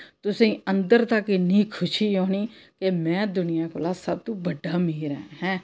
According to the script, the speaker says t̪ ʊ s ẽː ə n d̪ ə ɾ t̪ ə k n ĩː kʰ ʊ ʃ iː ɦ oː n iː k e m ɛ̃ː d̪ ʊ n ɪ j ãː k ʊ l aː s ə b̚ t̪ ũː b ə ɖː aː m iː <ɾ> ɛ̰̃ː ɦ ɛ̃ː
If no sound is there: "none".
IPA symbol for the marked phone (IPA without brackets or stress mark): ɾ